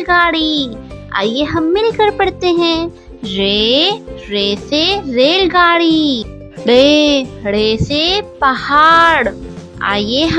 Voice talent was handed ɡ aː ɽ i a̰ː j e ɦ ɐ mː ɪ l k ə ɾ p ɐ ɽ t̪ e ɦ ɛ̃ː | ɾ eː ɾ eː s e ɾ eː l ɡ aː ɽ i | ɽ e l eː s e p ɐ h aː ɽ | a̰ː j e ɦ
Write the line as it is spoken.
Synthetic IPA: ɡ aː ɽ i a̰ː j e ɦ ɐ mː ɪ l k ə ɾ p ɐ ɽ t̪ e ɦ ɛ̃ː | ɾ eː ɾ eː s e ɾ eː l ɡ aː ɽ i | ɽ e ɽ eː s e p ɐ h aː ɽ | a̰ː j e ɦ

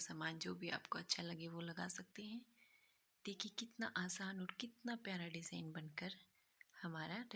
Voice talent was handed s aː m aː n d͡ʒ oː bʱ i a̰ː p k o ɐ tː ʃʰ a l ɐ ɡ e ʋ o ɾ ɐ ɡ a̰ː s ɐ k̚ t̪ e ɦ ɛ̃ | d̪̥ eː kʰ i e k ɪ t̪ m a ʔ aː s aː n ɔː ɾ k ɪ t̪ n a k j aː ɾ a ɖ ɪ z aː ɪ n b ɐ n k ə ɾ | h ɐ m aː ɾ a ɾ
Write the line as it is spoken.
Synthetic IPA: s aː m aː n d͡ʒ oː bʱ i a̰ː p k o ɐ tː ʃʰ a l ɐ ɡ e ʋ o l ɐ ɡ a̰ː s ɐ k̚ t̪ e ɦ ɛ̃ | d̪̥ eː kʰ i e k ɪ t̪ n a ʔ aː s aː n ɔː ɾ k ɪ t̪ n a p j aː ɾ a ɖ ɪ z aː ɪ n b ɐ n k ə ɾ | h ɐ m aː ɾ a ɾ

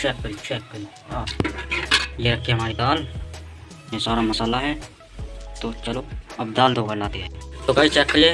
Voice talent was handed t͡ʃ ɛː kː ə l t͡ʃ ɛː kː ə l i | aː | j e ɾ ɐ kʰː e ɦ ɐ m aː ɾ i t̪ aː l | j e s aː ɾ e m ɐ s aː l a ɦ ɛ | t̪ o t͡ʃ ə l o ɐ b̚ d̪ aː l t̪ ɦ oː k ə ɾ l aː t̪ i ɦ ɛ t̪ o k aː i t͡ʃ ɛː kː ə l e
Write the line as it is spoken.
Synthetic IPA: t͡ʃ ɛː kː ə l t͡ʃ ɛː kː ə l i | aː | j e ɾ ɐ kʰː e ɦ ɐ m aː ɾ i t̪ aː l | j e s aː ɾ a m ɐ s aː l a ɦ ɛ | t̪ o t͡ʃ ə l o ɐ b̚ d̪ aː l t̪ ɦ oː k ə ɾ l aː t̪ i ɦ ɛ t̪ o k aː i t͡ʃ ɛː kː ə l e

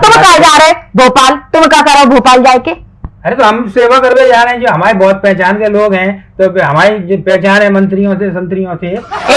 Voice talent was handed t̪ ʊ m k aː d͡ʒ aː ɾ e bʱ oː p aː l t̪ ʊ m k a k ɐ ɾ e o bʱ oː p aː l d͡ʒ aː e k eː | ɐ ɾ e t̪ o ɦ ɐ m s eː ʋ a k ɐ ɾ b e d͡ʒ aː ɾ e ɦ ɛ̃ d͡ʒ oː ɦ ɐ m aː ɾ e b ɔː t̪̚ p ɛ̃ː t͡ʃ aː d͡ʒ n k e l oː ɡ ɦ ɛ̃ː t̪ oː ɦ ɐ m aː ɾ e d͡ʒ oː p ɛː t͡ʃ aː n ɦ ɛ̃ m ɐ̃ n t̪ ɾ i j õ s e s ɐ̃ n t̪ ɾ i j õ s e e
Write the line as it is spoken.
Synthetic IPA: t̪ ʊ m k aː d͡ʒ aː ɾ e bʱ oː p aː l t̪ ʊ m k a k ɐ ɾ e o bʱ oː p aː l d͡ʒ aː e k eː | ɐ ɾ e t̪ o ɦ ɐ m s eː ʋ a k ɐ ɾ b e d͡ʒ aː ɾ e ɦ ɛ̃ d͡ʒ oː ɦ ɐ m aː ɾ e b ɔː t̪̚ p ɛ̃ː t͡ʃ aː n k e l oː ɡ ɦ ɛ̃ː t̪ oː ɦ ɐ m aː ɾ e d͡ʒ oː p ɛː t͡ʃ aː n ɦ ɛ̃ m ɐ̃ n t̪ ɾ i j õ s e s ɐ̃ n t̪ ɾ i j õ s e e

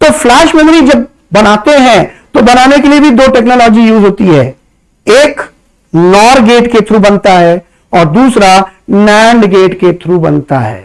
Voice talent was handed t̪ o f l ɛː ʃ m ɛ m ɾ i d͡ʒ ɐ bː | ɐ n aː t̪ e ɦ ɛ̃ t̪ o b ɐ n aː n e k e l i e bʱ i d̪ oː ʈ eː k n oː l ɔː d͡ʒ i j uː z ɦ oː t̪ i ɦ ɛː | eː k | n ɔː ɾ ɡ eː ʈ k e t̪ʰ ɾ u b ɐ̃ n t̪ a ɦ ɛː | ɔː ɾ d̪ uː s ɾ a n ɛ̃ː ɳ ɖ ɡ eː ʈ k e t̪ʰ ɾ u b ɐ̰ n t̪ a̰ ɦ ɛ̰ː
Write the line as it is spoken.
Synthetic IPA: t̪ o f l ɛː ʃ m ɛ m ɾ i d͡ʒ ɐ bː | ɐ n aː t̪ e ɦ ɛ̃ t̪ o b ɐ n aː n e k e l i e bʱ i d̪ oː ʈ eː k n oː l ɔː d͡ʒ i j uː z ɦ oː t̪ i ɦ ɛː | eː k | n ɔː ɾ ɡ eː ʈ k e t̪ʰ ɾ u b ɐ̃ n t̪ a ɦ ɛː | ɔː ɾ d̪ uː s ɾ a n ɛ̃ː ɳ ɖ ɡ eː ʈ k e t̪ʰ ɾ u b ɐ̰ n t̪ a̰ ɦ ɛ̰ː

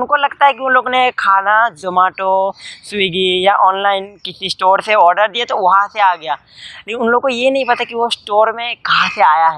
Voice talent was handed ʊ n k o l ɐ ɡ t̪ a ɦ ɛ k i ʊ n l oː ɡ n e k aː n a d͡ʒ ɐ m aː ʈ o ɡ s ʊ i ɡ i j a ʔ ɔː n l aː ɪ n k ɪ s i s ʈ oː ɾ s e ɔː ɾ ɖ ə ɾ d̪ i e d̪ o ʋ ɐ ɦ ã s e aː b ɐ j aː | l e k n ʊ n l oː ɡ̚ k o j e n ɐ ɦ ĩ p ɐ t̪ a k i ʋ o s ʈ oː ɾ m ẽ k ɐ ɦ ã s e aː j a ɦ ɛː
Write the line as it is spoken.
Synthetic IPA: ʊ n k o l ɐ ɡ t̪ a ɦ ɛ k i ʊ n l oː ɡ n e kʰ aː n a d͡ʒ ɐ m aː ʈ o s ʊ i ɡ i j a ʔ ɔː n l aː ɪ n k ɪ s i s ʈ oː ɾ s e ɔː ɾ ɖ ə ɾ d̪ i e t̪ o ʋ ɐ ɦ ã s e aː ɡ ɐ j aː | l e k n ʊ n l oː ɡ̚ k o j e n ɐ ɦ ĩ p ɐ t̪ a k i ʋ o s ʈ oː ɾ m ẽ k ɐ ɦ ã s e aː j a ɦ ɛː

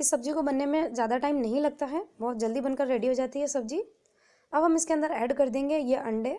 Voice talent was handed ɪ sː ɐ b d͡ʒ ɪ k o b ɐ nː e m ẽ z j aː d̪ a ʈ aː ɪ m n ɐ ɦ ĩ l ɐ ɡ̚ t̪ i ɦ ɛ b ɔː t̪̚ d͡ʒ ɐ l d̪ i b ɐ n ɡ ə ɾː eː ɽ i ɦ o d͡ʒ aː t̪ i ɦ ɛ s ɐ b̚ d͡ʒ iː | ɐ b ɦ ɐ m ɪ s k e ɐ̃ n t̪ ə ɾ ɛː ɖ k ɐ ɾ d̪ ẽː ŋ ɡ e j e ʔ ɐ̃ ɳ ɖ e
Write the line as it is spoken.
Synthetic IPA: ɪ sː ɐ b d͡ʒ i k o b ɐ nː e m ẽ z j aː d̪ a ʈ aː ɪ m n ɐ ɦ ĩ l ɐ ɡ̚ t̪ a ɦ ɛ b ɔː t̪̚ d͡ʒ ɐ l d̪ i b ɐ n k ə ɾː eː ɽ i ɦ o d͡ʒ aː t̪ i ɦ ɛ s ɐ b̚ d͡ʒ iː | ɐ b ɦ ɐ m ɪ s k e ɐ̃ n d̪ ə ɾ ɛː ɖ k ɐ ɾ d̪ ẽː ŋ ɡ e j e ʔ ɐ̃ ɳ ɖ e

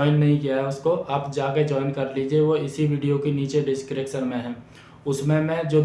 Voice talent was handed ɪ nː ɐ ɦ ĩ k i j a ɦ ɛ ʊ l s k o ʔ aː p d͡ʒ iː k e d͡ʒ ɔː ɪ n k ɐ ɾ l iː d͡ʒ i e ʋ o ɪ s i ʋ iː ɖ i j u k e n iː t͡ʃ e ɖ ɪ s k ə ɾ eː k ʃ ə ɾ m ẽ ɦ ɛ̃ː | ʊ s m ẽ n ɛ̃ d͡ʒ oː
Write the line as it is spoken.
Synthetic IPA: ɪ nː ɐ ɦ ĩ k i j a ɦ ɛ ʊ s k o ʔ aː p d͡ʒ aː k e d͡ʒ ɔː ɪ n k ɐ ɾ l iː d͡ʒ i e ʋ o ɪ s i ʋ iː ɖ i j o k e n iː t͡ʃ e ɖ ɪ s k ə ɾ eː k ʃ ə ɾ m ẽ ɦ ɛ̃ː | ʊ s m ẽ m ɛ̃ d͡ʒ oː

